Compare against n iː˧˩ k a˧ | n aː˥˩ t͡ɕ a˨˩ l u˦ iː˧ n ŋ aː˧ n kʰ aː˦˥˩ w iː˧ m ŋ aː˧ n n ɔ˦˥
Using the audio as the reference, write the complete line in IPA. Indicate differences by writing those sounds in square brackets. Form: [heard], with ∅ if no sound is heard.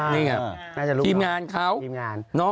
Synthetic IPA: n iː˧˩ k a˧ | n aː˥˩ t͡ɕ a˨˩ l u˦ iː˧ [m] ŋ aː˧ n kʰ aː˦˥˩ w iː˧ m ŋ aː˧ n n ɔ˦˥